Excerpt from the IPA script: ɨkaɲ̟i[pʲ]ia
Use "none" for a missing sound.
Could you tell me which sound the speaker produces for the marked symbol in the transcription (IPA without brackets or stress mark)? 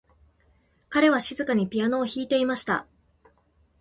pʲ